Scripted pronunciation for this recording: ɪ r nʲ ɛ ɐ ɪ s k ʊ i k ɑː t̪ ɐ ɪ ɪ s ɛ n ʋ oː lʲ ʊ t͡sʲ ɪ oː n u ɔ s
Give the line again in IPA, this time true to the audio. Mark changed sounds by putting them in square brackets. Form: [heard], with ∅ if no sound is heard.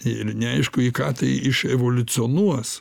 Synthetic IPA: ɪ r nʲ ɛ ɐ ɪ [ʃ] k ʊ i k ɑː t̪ ɐ ɪ ɪ [ʃ] ɛ [∅] ʋ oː lʲ ʊ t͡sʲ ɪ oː n u ɔ s